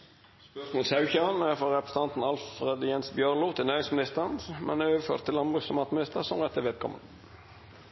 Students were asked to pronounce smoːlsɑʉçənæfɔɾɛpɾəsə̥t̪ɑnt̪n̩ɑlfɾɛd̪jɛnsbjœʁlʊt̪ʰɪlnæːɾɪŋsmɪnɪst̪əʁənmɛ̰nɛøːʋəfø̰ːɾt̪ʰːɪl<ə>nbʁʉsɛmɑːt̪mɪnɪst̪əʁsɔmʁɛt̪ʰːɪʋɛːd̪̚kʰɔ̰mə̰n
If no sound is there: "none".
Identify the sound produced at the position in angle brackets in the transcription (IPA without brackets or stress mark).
ɑ